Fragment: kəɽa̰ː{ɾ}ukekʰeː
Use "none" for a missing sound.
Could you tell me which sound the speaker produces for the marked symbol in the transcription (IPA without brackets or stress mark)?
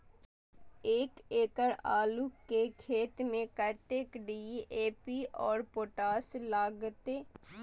l